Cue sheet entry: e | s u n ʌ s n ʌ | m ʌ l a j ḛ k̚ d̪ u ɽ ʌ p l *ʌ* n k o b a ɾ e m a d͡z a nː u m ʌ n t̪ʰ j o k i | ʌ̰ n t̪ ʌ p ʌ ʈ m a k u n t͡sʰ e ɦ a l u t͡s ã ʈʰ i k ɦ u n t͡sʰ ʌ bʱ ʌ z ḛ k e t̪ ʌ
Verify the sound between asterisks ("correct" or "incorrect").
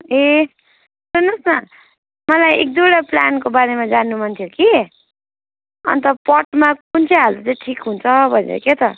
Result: incorrect